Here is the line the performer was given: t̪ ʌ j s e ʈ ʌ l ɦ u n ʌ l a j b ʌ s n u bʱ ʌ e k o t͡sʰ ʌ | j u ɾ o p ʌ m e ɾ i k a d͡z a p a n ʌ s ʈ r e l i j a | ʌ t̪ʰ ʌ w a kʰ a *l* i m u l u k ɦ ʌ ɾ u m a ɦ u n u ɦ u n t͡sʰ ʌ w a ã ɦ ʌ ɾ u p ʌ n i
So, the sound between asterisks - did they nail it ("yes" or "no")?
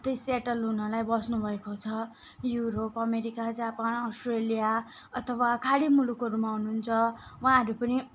no